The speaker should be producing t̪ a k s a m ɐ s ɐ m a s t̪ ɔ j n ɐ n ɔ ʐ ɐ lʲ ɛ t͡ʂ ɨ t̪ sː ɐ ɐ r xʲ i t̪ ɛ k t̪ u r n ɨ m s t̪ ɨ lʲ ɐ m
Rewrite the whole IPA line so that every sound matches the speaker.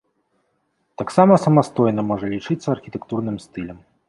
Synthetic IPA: t̪ a k s a m ɐ s ɐ m a s t̪ ɔ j n ɐ m ɔ ʐ ɐ lʲ i t͡ʂ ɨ t̪ sː ɐ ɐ r xʲ i t̪ ɛ k t̪ u r n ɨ m s t̪ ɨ lʲ ɐ m